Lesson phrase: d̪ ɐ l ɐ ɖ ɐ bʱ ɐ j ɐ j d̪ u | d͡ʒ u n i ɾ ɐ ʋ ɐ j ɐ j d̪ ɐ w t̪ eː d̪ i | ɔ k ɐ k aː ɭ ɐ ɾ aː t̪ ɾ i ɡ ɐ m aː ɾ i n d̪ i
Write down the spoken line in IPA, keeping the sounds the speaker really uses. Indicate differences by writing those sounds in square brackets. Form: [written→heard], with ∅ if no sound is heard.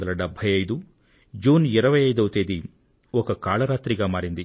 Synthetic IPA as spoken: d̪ ɐ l ɐ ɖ ɐ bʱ ɐ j ɐ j d̪ u | d͡ʒ [u→uː] n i ɾ ɐ ʋ ɐ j ɐ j d̪ ɐ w t̪ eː d̪ i | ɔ k ɐ k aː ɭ ɐ ɾ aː t̪ ɾ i ɡ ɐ m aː ɾ i n d̪ i